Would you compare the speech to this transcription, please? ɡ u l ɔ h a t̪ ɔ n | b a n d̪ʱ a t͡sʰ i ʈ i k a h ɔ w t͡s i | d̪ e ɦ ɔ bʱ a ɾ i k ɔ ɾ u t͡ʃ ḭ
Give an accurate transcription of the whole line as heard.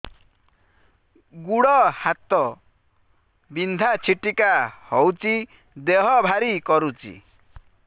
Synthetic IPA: ɡ u ɽ ɔ h a t̪ ɔ | b i n d̪ʱ a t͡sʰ i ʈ i k a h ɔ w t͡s i | d̪ e ɦ ɔ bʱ a ɾ i k ɔ ɾ u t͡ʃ ḭ